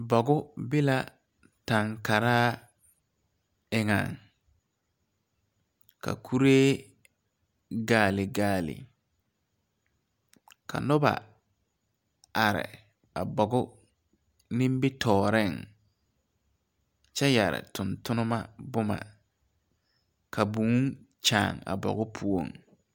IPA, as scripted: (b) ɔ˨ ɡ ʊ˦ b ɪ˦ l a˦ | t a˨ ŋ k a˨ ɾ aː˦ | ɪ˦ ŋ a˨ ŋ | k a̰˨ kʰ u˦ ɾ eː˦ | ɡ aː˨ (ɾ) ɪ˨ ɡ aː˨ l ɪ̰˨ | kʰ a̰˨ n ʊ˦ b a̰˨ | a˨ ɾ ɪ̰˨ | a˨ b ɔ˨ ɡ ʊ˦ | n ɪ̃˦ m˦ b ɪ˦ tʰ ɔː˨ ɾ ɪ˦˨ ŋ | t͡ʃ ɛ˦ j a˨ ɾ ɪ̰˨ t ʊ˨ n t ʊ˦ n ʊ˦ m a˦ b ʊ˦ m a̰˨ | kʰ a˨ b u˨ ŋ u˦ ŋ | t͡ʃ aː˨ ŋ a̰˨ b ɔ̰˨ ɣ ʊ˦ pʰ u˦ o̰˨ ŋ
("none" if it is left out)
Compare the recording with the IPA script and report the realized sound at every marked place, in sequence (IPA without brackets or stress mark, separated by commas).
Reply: b, l